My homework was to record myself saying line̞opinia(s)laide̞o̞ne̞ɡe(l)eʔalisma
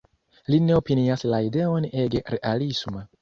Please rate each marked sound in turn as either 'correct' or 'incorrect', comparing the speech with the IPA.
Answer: correct, incorrect: ɾ

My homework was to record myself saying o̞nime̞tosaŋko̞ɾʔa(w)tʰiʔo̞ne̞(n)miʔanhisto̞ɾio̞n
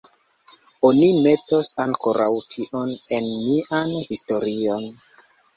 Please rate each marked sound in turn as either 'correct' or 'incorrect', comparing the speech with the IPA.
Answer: correct, correct

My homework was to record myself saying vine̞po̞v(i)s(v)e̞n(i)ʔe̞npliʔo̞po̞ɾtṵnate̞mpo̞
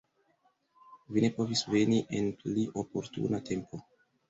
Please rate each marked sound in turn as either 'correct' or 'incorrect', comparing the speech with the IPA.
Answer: correct, correct, correct

